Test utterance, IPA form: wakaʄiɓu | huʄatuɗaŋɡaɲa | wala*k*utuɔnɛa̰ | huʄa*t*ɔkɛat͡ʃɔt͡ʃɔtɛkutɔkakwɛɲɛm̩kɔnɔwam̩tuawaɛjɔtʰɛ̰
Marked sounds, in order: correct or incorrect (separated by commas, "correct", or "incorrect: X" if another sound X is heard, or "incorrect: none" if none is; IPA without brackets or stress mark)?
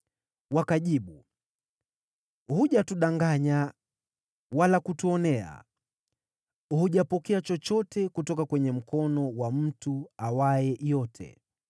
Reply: correct, incorrect: p